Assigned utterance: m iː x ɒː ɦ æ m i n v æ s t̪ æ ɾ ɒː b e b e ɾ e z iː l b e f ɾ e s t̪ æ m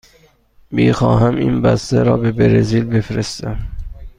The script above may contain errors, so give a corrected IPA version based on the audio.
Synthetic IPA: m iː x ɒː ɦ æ m i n b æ s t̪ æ ɾ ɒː b e b e ɾ e z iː l b e f ɾ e s t̪ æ m